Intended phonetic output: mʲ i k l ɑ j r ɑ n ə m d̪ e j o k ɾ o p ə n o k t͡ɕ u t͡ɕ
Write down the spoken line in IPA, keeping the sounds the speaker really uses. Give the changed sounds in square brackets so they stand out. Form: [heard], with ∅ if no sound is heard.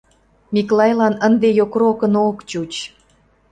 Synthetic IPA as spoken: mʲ i k l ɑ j [l] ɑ n ə [n] d̪ e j o k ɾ o [k] ə n o k t͡ɕ u t͡ɕ